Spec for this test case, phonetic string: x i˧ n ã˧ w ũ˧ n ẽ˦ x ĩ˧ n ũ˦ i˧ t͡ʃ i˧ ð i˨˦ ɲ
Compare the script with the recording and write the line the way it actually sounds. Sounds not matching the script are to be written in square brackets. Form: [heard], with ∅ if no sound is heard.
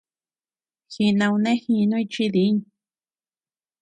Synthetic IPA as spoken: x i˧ n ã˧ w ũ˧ n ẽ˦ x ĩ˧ n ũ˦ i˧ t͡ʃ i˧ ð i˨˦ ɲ